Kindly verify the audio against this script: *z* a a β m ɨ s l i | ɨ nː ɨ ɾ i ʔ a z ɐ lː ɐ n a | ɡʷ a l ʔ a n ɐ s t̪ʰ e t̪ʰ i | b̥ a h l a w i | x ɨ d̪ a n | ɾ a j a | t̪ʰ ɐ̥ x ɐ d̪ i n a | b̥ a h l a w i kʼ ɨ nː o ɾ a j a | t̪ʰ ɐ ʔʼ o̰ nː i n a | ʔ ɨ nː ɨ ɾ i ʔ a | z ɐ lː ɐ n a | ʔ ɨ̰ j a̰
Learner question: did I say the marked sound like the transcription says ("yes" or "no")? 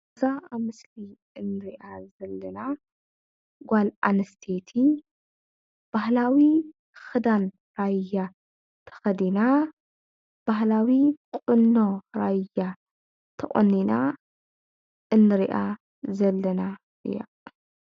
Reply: yes